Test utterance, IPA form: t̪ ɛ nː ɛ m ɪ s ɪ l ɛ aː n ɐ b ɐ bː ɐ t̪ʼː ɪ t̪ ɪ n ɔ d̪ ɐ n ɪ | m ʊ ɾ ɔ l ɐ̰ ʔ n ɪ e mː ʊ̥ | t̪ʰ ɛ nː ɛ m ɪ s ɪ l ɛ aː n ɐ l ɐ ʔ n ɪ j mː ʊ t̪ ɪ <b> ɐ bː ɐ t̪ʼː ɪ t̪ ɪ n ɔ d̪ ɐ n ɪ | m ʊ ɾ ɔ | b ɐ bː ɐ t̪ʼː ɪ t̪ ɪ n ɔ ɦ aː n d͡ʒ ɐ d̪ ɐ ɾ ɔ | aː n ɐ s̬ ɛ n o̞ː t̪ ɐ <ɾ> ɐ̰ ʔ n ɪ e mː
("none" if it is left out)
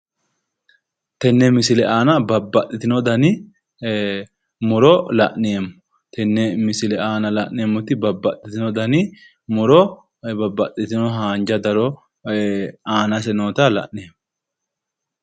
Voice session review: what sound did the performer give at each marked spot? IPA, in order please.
b, l

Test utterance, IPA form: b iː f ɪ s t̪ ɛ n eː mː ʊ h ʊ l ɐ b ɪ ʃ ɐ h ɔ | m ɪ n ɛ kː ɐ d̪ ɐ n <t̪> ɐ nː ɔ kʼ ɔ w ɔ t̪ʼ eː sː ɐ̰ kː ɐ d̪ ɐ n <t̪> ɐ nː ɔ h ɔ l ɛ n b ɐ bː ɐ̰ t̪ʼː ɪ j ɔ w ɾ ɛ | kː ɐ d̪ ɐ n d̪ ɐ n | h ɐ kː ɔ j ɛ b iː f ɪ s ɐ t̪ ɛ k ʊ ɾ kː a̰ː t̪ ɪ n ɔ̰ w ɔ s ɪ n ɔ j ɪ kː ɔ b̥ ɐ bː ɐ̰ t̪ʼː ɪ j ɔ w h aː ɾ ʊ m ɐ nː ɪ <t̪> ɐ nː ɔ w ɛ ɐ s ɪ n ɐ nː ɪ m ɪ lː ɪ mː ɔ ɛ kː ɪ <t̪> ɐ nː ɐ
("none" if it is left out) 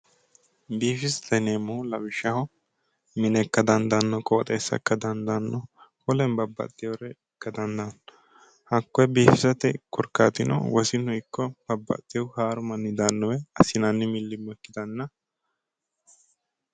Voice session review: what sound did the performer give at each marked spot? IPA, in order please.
d̪, d̪, d̪, d̪

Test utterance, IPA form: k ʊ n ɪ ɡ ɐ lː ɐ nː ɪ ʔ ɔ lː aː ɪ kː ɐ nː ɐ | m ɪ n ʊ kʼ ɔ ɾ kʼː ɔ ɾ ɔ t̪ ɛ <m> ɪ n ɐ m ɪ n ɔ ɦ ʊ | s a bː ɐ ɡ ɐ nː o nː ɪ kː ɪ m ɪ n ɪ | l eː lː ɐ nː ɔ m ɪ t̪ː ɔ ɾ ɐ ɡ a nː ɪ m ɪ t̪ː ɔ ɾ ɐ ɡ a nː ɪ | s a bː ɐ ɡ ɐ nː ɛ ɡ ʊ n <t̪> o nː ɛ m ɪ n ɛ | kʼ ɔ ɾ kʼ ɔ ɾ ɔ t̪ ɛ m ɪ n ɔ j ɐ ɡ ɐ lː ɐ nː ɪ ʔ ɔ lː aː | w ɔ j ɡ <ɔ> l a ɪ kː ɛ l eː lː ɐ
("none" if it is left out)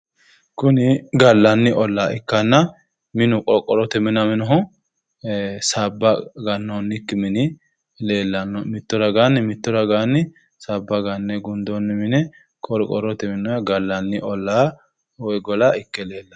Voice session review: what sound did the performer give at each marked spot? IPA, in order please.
m, d̪, ɔ

